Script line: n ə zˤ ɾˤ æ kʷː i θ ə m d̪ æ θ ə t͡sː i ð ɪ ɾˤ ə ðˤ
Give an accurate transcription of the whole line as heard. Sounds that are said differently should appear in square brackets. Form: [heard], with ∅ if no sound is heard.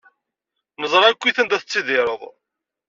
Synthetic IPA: n ə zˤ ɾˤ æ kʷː i θ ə [n] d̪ æ θ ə t͡sː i ð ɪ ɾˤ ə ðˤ